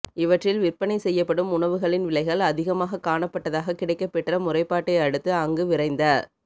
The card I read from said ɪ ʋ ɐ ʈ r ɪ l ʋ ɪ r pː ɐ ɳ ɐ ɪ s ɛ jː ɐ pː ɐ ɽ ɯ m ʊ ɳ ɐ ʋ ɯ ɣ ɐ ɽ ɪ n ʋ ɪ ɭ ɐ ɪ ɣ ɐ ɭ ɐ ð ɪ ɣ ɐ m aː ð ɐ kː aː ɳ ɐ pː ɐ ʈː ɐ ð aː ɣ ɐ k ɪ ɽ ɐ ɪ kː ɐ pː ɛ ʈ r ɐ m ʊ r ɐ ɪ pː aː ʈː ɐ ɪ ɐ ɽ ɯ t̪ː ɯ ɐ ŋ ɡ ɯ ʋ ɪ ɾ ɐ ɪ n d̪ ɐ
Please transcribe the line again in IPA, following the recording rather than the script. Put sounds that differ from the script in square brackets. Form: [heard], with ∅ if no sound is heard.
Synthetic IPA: ɪ ʋ ɐ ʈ r ɪ l ʋ ɪ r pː ɐ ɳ ɐ ɪ s ɛ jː ɐ pː ɐ ɽ ɯ m ʊ ɳ ɐ ʋ ɯ ɣ ɐ [ɭ] ɪ n ʋ ɪ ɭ ɐ ɪ ɣ ɐ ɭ ɐ ð ɪ ɣ ɐ m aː [ɣ] ɐ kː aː ɳ ɐ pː ɐ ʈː ɐ ð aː ɣ ɐ k ɪ ɽ ɐ ɪ kː ɐ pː ɛ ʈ r ɐ m ʊ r ɐ ɪ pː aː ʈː ɐ ɪ ɐ ɽ ɯ t̪ː ɯ ɐ ŋ ɡ ɯ ʋ ɪ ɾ ɐ ɪ n d̪ ɐ